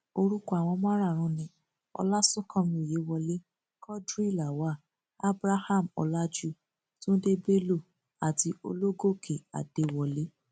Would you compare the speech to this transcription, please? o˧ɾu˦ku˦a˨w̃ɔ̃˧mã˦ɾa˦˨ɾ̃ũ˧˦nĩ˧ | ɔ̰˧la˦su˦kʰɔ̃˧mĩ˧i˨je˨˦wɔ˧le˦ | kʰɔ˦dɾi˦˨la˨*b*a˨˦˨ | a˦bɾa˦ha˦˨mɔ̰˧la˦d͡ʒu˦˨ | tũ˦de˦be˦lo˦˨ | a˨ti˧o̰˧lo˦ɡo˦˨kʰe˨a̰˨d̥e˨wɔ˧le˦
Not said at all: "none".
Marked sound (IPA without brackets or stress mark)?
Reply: w